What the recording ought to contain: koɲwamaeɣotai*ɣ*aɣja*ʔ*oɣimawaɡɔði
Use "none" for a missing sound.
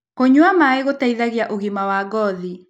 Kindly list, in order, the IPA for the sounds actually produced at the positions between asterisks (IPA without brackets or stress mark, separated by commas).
ð, ʔ